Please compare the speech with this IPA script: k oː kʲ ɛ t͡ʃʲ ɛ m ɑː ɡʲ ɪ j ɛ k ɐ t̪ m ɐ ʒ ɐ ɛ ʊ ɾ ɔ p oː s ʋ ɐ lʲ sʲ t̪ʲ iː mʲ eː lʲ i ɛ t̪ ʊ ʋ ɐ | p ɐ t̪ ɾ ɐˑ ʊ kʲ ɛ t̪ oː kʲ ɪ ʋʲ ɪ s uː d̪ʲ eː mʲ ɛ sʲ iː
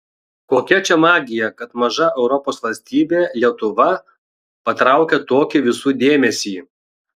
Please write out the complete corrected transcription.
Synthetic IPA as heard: k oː kʲ ɛ t͡ʃʲ ɛ m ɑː ɡʲ ɪ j ɛ k ɐ t̪ m ɐ ʒ ɐ ɛ ʊ ɾ ɔ p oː s ʋ ɐ lʲ sʲ t̪ʲ iː bʲ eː lʲ i ɛ t̪ ʊ ʋ ɐ | p ɐ t̪ ɾ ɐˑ ʊ kʲ ɛ t̪ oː kʲ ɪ ʋʲ ɪ s uː d̪ʲ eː mʲ ɛ sʲ iː